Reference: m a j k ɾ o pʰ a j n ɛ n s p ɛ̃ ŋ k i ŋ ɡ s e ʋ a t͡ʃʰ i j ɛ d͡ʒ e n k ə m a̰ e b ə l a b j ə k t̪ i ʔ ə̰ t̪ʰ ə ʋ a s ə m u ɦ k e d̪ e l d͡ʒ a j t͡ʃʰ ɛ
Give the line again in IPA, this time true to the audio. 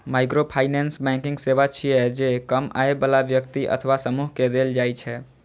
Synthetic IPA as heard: m a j k ɾ o pʰ a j n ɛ n s b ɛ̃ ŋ k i ŋ ɡ s e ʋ a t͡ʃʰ i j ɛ d͡ʒ e k ə m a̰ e b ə l a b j ə k t̪ i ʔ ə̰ t̪ʰ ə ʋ a s ə m u ɦ k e d̪ e l d͡ʒ a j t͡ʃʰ ɛ